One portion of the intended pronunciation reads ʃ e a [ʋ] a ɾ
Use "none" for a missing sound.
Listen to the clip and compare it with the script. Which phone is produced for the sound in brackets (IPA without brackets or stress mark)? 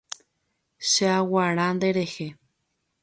w